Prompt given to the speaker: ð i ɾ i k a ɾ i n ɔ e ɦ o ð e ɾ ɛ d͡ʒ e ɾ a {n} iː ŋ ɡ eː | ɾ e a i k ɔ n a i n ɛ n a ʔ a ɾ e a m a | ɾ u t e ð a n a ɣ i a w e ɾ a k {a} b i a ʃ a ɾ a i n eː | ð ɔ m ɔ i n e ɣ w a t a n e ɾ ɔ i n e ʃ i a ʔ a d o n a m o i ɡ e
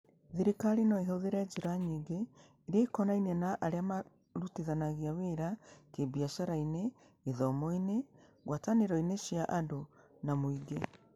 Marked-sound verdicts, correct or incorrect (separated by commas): incorrect, incorrect